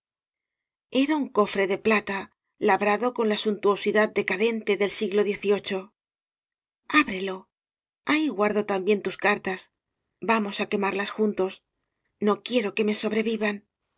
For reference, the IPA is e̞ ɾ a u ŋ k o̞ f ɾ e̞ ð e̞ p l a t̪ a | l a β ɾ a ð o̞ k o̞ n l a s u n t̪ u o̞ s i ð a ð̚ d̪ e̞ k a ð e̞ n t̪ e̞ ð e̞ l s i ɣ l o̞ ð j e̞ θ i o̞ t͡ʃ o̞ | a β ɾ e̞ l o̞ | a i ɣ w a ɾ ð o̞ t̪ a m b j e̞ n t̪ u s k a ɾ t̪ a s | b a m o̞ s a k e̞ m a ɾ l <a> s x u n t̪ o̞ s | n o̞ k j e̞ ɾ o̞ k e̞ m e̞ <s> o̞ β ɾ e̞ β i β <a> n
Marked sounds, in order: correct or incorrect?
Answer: correct, correct, correct

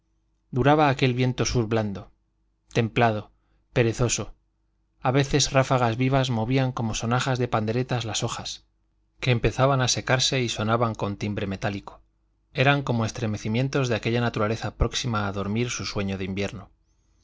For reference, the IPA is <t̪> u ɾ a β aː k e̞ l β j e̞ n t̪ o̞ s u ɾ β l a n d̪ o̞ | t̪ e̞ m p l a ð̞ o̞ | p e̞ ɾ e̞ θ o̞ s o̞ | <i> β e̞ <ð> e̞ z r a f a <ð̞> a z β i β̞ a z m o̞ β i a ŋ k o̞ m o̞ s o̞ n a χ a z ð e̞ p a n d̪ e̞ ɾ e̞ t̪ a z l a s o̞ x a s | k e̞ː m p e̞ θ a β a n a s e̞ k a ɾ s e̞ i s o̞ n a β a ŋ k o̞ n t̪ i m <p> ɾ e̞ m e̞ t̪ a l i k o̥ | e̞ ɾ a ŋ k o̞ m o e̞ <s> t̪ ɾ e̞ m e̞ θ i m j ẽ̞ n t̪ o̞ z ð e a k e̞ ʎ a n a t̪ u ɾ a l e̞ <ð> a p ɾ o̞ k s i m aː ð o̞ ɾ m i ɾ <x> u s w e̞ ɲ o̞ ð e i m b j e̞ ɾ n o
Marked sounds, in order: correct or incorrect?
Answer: incorrect: d̪, incorrect: a, incorrect: θ, incorrect: ɣ̞, incorrect: b, correct, incorrect: θ, incorrect: s

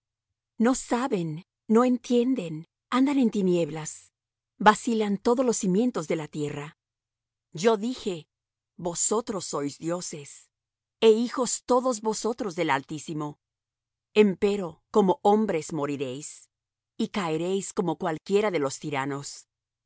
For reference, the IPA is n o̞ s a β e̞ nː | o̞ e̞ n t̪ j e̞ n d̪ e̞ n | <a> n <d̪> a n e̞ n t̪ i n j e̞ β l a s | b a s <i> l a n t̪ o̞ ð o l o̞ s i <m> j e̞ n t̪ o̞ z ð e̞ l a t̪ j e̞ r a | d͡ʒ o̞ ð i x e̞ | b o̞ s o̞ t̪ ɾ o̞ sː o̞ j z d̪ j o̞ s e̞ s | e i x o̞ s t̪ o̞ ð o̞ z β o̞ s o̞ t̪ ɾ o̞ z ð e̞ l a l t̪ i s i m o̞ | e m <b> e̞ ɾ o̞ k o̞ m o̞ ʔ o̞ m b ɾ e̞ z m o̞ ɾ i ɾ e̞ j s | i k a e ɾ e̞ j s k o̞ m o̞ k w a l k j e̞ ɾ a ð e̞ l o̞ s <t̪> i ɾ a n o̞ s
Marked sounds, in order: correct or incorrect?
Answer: correct, correct, correct, correct, incorrect: p, correct

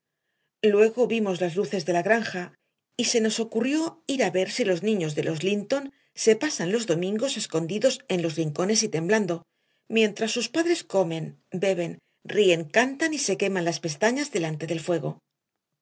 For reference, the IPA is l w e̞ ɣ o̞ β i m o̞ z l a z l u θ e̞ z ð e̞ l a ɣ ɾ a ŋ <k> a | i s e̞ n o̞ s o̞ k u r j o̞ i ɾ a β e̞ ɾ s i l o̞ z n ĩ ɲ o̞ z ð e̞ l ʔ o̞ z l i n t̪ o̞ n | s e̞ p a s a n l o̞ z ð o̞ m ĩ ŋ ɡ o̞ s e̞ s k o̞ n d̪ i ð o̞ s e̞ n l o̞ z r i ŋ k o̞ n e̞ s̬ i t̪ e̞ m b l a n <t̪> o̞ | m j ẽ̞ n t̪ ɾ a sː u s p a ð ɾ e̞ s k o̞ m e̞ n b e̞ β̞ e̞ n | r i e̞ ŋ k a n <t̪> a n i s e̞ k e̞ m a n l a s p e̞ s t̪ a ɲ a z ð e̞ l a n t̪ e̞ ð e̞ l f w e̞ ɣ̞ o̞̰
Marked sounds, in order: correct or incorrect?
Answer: incorrect: x, incorrect: d̪, correct

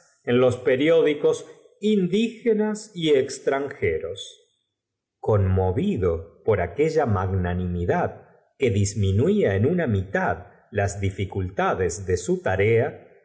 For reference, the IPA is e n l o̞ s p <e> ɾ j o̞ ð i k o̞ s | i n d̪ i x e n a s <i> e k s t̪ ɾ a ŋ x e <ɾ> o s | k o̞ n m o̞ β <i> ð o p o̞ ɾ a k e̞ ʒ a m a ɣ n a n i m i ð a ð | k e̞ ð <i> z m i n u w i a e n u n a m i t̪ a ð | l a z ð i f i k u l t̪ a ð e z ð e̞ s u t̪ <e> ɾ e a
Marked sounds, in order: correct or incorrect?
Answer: correct, correct, correct, correct, correct, incorrect: a

